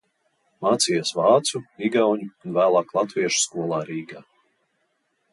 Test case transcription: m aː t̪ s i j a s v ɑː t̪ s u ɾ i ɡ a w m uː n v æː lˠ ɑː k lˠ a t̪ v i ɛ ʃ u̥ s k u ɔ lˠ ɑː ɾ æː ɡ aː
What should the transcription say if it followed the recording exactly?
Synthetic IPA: m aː t̪ s i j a s v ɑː t̪ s u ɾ i ɡ a w ɲ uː n v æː lˠ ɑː k lˠ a t̪ v i ɛ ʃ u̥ s k u ɔ lˠ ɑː ɾ iː ɡ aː